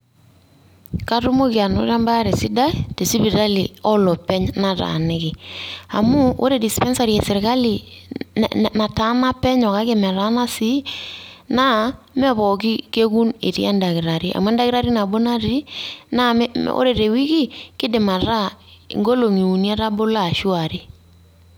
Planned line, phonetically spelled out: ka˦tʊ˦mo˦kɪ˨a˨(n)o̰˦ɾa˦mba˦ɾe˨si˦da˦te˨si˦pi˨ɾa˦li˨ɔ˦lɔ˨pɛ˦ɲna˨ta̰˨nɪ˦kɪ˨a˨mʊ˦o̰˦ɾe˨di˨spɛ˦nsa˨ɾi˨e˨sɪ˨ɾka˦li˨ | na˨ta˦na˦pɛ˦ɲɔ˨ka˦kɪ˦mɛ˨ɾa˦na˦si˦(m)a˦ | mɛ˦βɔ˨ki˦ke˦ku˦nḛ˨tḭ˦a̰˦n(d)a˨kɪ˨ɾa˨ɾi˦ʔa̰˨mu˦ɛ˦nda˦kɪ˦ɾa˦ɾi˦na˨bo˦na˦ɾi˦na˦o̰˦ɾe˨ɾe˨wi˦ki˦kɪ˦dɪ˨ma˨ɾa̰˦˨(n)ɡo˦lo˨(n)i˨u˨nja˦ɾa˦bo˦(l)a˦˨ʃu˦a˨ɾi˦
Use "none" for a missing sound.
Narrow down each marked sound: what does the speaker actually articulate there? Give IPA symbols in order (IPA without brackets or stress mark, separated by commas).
n, n, d, ŋ, ŋ, l